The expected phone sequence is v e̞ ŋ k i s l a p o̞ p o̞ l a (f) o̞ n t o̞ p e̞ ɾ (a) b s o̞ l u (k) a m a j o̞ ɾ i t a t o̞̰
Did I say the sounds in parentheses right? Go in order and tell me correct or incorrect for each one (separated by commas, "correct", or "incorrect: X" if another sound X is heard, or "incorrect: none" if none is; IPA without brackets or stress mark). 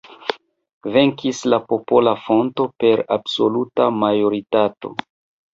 correct, correct, incorrect: t